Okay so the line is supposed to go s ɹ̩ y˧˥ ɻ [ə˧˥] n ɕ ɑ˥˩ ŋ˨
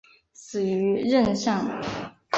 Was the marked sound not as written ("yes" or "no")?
yes